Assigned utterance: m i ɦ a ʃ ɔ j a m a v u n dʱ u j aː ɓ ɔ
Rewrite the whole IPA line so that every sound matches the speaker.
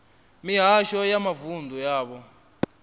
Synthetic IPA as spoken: m i ɦ a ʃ ɔ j a m a v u n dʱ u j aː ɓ ɔ